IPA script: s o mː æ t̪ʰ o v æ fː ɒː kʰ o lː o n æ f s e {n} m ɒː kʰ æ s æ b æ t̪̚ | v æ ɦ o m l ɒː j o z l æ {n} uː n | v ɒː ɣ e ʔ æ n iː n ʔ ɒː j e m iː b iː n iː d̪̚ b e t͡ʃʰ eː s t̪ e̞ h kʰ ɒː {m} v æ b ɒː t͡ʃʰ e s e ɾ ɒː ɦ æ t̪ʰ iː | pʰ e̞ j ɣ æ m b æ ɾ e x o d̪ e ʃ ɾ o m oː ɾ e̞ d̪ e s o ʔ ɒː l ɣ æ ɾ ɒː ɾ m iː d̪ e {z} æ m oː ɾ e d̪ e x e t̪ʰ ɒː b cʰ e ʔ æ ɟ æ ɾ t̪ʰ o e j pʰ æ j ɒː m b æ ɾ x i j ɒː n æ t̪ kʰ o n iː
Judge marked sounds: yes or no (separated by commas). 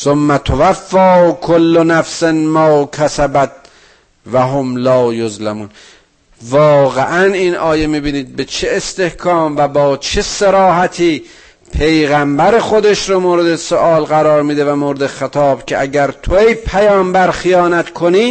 yes, no, yes, no